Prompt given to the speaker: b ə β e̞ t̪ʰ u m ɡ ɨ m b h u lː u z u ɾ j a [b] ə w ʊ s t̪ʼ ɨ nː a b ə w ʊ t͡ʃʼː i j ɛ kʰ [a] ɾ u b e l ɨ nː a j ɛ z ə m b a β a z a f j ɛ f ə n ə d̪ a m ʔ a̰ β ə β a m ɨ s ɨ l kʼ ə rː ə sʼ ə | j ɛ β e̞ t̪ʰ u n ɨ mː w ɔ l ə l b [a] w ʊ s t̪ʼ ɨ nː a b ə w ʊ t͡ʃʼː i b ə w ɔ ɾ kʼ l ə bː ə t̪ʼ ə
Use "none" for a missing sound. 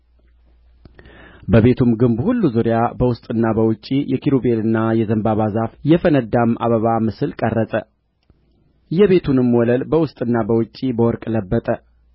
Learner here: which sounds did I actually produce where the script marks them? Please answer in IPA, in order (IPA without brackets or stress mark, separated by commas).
b, i, ə